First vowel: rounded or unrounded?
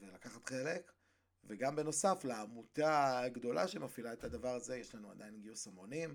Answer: unrounded